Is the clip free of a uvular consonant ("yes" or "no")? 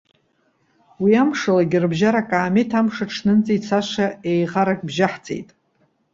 no